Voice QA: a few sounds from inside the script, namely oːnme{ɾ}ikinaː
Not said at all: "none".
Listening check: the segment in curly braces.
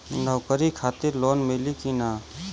l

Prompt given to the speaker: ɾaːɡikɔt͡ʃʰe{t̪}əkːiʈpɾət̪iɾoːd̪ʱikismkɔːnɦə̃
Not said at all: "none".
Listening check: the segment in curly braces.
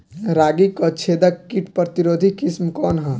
d̪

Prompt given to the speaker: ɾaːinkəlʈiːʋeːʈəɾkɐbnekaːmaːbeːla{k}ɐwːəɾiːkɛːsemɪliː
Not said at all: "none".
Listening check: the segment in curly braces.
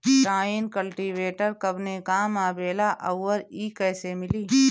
ʔ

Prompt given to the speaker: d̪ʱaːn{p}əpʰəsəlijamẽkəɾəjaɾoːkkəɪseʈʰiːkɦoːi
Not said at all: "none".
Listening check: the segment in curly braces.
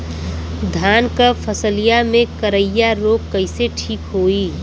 k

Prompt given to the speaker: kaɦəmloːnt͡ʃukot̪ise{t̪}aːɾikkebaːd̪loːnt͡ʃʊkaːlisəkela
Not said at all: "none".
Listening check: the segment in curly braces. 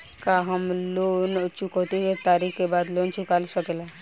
t̪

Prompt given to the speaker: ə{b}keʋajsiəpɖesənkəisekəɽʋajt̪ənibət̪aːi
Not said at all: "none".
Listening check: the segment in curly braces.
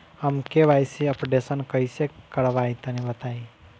m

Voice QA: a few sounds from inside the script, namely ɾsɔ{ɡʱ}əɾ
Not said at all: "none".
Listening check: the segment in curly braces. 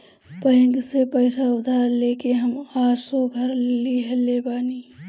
ɡʱ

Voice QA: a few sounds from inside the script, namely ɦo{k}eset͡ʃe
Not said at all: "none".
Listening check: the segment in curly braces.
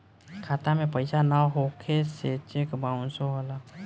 kʰ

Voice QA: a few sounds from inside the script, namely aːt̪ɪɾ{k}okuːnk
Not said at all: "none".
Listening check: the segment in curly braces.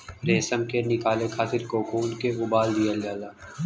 k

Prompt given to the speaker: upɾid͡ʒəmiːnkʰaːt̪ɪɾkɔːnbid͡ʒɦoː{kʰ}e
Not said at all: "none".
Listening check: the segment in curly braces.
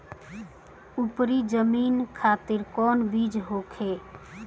kʰ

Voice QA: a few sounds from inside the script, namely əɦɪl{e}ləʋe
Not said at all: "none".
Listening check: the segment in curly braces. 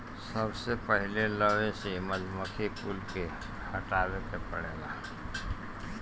e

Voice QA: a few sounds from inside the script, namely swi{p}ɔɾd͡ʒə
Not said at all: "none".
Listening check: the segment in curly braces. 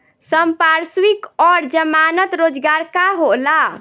k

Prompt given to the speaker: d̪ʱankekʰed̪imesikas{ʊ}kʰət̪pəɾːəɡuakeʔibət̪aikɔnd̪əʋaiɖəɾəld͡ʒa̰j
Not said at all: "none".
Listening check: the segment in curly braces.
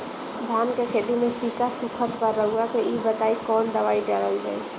u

